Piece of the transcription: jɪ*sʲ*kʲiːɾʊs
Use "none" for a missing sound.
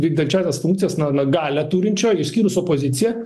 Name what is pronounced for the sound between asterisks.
sʲ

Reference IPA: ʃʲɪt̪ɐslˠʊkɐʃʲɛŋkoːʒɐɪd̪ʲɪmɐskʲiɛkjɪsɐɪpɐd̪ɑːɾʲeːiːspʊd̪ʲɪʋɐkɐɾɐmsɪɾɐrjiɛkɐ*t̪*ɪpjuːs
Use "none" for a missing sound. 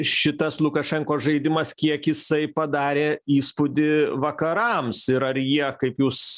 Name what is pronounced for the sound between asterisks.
none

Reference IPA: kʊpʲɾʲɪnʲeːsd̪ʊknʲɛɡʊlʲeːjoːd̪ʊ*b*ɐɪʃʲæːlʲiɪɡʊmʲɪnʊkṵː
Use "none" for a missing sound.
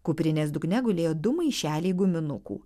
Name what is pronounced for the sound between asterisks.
m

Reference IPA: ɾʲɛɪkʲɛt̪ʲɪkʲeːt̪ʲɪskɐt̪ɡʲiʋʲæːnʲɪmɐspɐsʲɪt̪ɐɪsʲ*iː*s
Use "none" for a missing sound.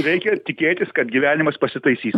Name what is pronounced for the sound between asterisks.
iː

